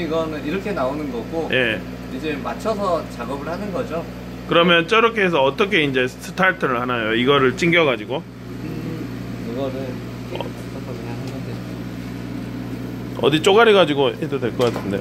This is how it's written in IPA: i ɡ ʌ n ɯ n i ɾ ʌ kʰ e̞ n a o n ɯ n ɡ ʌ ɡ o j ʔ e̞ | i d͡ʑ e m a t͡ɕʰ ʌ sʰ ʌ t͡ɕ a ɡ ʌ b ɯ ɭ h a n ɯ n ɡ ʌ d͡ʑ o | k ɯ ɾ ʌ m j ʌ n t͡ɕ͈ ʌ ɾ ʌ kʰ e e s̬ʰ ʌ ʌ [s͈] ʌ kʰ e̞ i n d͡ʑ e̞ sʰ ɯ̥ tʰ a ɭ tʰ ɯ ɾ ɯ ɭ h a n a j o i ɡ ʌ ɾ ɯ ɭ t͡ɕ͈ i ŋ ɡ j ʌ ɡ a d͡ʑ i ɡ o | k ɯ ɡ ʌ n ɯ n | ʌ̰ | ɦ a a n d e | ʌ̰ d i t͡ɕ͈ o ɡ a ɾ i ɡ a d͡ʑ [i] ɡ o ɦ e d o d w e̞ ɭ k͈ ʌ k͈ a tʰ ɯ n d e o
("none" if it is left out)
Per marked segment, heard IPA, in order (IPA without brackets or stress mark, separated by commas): t͈, i